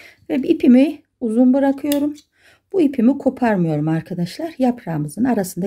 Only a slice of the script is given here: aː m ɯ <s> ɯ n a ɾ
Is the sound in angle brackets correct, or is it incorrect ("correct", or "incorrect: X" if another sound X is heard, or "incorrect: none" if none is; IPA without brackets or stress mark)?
incorrect: z